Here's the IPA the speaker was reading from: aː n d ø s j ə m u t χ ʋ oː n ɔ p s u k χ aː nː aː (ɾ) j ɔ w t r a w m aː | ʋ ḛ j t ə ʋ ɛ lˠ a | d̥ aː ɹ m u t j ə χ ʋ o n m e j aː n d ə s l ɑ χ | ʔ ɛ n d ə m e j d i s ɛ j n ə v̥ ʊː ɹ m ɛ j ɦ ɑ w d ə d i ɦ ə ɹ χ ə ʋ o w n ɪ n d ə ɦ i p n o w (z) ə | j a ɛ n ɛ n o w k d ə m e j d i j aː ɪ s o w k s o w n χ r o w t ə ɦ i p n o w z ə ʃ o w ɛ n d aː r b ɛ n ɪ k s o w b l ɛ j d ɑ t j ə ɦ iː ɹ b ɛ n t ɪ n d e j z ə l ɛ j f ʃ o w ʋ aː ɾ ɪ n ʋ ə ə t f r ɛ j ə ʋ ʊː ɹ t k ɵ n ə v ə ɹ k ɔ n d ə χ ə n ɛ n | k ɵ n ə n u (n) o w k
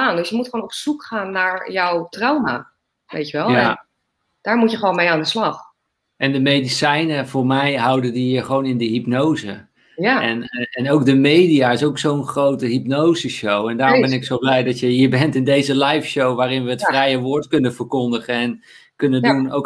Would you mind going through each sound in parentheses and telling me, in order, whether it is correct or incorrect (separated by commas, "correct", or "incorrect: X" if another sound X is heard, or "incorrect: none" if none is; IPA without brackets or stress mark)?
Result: incorrect: ɹ, correct, correct